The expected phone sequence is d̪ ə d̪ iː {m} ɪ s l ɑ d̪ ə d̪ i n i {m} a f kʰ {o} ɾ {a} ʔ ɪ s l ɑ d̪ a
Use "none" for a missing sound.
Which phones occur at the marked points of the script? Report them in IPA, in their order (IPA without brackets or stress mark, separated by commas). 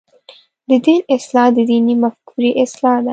n, m, u, i